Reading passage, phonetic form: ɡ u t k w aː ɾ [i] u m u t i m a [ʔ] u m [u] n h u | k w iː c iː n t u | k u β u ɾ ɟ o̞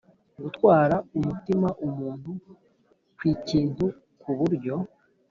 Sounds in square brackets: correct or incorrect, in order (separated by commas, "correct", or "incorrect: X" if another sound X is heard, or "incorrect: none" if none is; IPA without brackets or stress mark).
incorrect: a, correct, incorrect: uː